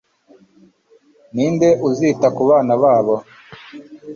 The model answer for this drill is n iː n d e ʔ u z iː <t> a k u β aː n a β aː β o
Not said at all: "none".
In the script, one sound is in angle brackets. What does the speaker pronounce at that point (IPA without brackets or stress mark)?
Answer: t